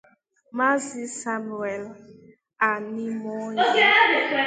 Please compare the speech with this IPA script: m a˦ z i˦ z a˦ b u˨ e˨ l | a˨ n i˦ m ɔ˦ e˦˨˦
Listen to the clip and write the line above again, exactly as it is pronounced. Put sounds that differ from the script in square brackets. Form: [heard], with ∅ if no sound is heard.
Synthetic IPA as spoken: m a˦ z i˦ [s] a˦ [m] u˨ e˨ l | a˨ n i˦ m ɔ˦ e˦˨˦